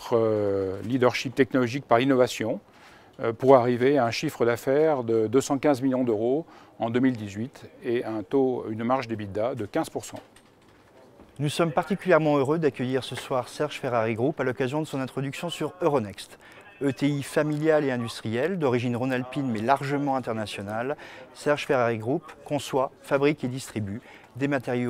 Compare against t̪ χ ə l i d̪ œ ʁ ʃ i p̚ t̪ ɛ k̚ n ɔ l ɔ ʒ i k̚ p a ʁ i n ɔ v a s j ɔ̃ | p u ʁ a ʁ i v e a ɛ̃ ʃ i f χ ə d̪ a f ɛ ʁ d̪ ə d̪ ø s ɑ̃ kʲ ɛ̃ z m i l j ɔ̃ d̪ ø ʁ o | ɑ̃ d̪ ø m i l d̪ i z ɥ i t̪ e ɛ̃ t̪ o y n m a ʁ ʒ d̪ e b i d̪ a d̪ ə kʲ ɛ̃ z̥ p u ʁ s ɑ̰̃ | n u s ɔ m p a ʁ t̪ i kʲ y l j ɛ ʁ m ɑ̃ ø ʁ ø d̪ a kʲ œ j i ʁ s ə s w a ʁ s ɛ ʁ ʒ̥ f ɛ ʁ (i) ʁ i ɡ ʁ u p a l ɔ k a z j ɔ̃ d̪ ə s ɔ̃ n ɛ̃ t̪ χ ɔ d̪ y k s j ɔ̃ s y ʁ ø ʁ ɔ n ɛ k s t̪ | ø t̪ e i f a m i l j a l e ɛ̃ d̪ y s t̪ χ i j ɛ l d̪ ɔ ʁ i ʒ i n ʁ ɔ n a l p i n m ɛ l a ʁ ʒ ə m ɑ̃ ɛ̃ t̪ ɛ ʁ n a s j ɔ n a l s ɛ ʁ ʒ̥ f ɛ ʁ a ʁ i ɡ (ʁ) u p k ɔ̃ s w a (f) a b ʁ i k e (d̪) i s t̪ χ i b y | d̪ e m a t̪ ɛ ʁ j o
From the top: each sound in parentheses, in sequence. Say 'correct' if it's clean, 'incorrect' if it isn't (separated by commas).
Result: incorrect, correct, correct, correct